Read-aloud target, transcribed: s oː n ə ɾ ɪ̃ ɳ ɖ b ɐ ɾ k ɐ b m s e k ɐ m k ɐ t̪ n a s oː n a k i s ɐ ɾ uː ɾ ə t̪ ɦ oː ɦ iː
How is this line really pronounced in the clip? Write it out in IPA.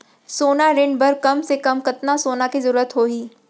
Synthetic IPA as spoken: s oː n a ɾ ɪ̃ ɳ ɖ b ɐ ɾ k ɐ m s e k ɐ m k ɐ t̪ n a s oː n a k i z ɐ ɾ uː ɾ ə t̪ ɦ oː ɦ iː